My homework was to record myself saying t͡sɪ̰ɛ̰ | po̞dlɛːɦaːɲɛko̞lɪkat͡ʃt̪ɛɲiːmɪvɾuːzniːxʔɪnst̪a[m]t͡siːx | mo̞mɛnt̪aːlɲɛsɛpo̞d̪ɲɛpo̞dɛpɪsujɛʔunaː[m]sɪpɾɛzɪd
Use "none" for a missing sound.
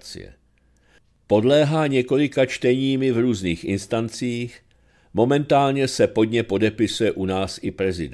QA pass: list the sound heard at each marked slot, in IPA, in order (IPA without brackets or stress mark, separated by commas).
n, none